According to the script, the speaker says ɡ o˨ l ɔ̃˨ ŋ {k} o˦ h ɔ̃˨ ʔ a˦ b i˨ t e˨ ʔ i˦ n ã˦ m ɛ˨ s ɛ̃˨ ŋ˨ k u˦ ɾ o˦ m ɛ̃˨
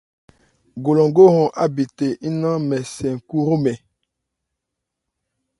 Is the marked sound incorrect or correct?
incorrect